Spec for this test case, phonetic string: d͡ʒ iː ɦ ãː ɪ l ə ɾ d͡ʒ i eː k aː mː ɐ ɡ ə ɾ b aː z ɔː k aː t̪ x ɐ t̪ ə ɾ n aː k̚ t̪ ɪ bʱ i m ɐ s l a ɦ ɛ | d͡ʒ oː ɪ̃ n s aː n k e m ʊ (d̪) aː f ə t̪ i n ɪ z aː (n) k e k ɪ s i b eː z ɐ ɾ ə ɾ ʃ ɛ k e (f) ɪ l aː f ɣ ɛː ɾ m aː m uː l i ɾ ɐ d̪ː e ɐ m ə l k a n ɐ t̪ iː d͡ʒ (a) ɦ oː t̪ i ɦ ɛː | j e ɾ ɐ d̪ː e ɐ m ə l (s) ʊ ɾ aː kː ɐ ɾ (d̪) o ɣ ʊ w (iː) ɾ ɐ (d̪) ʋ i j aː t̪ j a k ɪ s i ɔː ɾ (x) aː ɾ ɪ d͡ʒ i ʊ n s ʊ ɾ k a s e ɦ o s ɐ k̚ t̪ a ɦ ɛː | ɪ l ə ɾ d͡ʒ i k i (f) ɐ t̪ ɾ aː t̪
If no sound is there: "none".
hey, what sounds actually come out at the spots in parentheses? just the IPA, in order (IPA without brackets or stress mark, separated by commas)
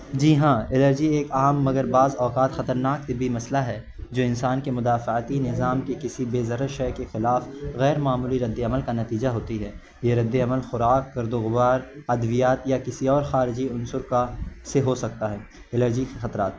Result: d̪, m, x, a, x, d̪, aː, d̪, x, x